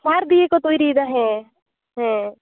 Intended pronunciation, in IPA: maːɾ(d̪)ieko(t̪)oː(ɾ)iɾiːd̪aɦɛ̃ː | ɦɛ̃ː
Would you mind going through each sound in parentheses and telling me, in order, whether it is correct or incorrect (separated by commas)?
correct, correct, incorrect